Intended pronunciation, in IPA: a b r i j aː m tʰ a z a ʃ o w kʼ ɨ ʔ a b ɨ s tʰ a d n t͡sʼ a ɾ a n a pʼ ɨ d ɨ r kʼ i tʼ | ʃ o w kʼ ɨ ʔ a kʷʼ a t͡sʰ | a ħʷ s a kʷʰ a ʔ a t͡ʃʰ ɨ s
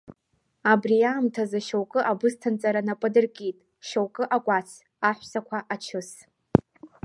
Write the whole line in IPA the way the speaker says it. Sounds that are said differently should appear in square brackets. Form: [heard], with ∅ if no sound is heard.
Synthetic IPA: a b r i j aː m tʰ a z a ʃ o w kʼ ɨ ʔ a b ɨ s tʰ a [∅] n t͡sʼ a ɾ a n a pʼ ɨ d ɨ r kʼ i tʼ | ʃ o w kʼ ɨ ʔ a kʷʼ a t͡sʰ | a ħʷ s a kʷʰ a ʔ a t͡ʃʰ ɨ s